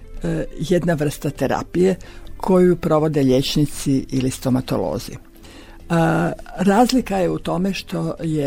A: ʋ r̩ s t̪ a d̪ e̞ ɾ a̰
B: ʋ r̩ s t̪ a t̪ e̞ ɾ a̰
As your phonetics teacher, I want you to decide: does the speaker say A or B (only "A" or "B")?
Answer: B